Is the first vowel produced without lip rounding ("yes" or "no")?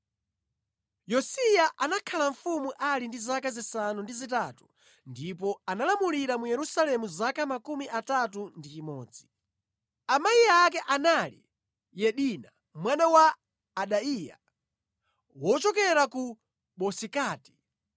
no